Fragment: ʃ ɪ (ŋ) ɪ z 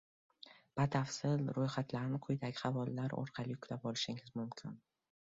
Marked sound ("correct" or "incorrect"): correct